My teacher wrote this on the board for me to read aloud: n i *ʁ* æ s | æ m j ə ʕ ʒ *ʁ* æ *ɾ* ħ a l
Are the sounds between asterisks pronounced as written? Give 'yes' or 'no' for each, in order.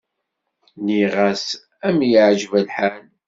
yes, no, no

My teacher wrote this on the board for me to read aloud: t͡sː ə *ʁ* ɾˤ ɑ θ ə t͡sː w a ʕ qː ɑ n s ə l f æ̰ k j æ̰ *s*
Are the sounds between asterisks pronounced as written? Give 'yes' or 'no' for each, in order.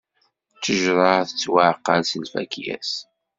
no, yes

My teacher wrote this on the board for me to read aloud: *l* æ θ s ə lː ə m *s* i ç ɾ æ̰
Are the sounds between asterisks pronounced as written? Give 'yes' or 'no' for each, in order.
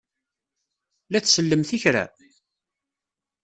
yes, no

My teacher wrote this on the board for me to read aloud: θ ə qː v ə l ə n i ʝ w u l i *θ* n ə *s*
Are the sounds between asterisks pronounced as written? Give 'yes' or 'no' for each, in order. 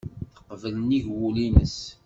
no, yes

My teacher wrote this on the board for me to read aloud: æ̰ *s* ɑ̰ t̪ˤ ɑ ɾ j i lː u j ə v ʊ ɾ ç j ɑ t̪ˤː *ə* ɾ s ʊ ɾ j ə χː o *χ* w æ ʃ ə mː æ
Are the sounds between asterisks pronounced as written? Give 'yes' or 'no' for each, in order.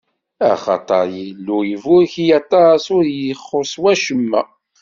no, no, no

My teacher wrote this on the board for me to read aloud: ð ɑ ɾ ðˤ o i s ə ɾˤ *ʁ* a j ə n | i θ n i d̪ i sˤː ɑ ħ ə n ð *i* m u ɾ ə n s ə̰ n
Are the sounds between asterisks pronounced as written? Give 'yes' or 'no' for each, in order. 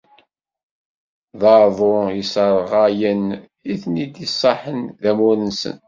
yes, no

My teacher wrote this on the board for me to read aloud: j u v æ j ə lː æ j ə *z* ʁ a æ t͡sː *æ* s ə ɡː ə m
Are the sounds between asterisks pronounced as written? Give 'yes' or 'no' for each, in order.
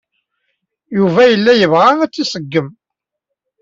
no, no

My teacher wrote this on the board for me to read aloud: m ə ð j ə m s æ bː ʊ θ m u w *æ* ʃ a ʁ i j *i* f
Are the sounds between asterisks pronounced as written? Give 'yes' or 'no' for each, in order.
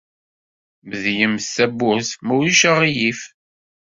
no, yes

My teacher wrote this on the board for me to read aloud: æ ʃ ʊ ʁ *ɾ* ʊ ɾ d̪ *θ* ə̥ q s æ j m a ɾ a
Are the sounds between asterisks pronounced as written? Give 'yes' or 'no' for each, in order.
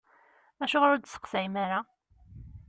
yes, no

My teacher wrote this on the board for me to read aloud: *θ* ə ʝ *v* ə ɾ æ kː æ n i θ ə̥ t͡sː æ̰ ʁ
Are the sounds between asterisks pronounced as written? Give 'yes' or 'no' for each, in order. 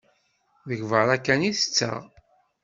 no, yes

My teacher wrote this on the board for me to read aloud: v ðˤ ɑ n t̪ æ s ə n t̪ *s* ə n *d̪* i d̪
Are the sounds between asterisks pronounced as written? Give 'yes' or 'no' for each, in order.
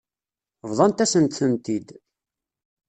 no, no

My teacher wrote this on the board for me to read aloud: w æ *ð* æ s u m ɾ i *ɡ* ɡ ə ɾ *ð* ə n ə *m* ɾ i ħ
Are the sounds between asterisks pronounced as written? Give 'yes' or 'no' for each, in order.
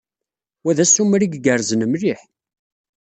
yes, yes, no, yes

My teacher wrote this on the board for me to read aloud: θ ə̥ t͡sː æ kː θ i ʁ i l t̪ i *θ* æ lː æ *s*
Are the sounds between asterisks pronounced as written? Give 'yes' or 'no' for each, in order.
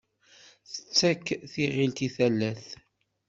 yes, no

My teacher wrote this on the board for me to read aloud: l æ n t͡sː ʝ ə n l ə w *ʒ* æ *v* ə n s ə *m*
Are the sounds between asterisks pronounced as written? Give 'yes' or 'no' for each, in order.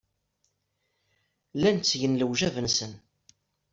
yes, yes, no

